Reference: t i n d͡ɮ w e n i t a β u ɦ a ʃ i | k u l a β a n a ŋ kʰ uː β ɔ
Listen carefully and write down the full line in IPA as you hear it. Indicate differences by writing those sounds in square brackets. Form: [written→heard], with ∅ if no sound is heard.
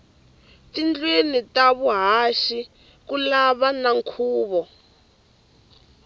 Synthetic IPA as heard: t i n d͡ɮ w e n i t a β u ɦ a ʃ i | k u l a β a n a ŋ kʰ uː β ɔ